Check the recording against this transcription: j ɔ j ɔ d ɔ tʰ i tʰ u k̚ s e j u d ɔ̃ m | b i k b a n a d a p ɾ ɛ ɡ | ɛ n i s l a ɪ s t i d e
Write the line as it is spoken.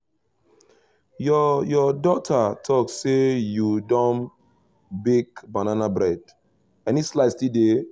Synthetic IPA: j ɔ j ɔ d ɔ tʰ a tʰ ɔ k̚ s e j u d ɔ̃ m | b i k b a n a n a b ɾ ɛ d | ɛ n i s l a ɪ s t i d e